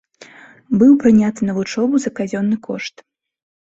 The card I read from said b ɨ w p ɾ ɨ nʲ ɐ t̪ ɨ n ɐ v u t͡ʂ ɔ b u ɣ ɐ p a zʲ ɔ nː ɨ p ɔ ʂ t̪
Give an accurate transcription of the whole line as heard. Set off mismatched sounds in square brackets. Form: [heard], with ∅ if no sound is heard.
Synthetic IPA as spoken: b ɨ w p ɾ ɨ nʲ [a] t̪ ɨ n ɐ v u t͡ʂ ɔ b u [z] ɐ [k] a zʲ ɔ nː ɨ [k] ɔ ʂ t̪